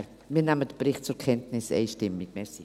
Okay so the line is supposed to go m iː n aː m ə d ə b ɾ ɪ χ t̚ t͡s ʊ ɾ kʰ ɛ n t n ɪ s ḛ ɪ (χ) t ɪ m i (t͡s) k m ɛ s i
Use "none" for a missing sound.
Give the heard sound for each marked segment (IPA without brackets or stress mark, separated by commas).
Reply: ʃ, none